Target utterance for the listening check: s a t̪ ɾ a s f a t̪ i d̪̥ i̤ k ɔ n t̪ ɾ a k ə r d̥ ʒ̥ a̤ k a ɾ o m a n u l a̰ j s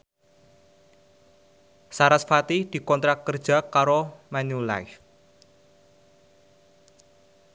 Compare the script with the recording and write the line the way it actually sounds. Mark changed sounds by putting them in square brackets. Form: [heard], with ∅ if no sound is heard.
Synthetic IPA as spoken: s a [∅] ɾ a s f a t̪ i d̪̥ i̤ k ɔ n t̪ ɾ a k ə r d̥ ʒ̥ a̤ k a ɾ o m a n u l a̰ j [f]